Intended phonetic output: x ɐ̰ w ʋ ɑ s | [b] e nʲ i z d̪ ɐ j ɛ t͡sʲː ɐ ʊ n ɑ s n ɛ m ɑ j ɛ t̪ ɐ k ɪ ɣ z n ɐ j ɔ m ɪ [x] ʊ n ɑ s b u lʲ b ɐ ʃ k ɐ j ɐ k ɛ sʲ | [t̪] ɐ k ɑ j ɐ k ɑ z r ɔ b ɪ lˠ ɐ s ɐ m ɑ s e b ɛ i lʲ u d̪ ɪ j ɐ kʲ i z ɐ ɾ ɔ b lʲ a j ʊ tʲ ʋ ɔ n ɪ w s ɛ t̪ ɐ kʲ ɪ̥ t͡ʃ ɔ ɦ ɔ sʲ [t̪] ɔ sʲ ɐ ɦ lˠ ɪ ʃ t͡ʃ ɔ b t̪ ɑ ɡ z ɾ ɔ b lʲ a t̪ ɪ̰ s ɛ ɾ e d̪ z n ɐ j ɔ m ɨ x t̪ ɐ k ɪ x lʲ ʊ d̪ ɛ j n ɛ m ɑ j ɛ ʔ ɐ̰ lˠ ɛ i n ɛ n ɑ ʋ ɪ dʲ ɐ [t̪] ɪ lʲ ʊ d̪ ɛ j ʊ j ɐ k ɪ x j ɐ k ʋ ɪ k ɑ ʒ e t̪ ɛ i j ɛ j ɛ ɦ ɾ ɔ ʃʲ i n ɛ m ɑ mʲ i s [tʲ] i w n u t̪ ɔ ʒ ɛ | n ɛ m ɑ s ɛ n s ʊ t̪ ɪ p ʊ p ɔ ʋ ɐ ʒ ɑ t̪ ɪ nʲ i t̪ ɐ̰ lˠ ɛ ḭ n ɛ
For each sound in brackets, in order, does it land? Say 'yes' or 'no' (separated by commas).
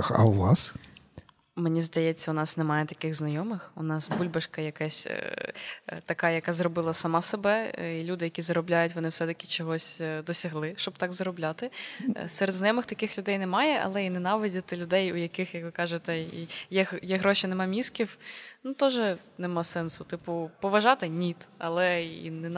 no, yes, yes, no, yes, no